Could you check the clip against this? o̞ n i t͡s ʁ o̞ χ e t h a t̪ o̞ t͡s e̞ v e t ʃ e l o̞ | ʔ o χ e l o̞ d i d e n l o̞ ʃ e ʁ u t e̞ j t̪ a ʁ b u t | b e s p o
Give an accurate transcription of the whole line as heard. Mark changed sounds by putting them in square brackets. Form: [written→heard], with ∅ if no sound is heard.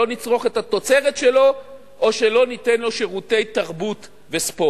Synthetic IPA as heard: o̞ n i t͡s ʁ o̞ χ e t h a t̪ o̞ t͡s e̞ [v→ʁ] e t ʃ e l o̞ | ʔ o [χ→ʃ] e l o̞ [d→n] i [d→t] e n l o̞ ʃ e ʁ u t e̞ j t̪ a ʁ b u t | [b→v] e s p o